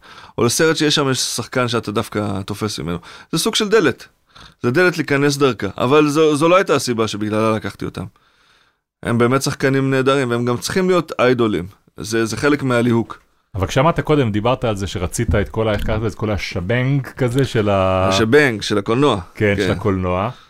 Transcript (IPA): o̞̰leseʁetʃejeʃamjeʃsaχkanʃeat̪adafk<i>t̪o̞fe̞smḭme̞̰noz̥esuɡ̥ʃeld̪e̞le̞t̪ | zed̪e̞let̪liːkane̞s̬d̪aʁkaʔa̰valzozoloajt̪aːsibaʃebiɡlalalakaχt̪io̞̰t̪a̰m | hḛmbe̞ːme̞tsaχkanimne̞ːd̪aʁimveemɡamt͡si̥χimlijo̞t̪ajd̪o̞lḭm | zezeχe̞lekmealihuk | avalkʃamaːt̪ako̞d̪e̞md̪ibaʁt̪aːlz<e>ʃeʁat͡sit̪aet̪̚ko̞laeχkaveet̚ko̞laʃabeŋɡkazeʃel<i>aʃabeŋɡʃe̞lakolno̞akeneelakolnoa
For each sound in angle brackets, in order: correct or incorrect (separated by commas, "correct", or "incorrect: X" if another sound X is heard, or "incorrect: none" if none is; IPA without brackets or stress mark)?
incorrect: a, correct, incorrect: a